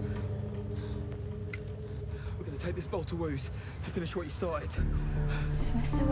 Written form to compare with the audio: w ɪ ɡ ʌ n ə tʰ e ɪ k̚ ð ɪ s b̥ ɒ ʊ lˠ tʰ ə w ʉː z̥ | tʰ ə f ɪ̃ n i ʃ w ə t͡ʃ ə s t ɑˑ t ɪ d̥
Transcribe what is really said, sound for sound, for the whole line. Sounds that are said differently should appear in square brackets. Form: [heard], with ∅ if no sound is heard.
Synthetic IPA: w ɪ ɡ ʌ n ə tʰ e ɪ k̚ ð ɪ s b̥ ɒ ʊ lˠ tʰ ə w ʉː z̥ | tʰ ə f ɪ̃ n [ɪ] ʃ w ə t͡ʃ ə s t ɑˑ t ɪ d̥